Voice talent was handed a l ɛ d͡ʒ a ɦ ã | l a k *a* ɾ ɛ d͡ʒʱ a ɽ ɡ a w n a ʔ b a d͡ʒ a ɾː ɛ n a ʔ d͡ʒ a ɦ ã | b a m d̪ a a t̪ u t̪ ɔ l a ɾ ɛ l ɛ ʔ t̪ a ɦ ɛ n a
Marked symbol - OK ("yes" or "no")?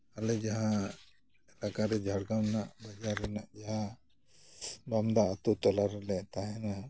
yes